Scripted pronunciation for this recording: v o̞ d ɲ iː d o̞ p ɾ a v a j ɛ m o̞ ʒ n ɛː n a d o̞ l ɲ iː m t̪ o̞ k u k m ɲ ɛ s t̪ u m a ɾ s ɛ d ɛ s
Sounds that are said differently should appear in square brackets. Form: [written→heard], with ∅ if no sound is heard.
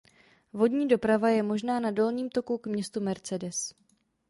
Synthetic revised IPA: v o̞ d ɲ iː d o̞ p ɾ a v a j ɛ m o̞ ʒ n [ɛː→aː] n a d o̞ l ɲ iː m t̪ o̞ k u k m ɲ ɛ s t̪ u m [a→ɛ] ɾ [s→t͡s] ɛ d ɛ s